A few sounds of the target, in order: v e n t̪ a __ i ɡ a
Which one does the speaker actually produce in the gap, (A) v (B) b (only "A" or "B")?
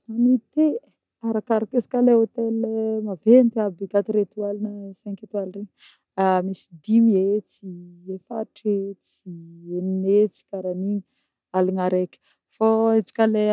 B